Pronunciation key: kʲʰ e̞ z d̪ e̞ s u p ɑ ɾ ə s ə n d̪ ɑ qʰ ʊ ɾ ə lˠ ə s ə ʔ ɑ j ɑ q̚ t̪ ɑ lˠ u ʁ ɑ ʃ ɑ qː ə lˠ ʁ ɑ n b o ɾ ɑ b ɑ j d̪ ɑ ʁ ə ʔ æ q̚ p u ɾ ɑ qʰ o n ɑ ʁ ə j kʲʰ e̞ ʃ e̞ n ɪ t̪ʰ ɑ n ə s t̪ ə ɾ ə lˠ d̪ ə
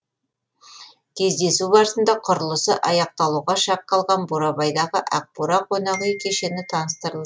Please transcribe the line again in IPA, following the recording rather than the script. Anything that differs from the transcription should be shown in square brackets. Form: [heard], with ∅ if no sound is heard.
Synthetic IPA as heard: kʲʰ e̞ z d̪ e̞ s u [b] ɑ ɾ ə s ə n d̪ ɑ qʰ ʊ ɾ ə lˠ ə s ə ʔ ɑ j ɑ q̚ t̪ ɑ lˠ u ʁ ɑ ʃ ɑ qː [ɑ] lˠ ʁ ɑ n b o ɾ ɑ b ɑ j d̪ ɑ ʁ ə ʔ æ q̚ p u ɾ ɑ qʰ o n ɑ ʁ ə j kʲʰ e̞ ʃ e̞ n ɪ t̪ʰ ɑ n ə s t̪ ə ɾ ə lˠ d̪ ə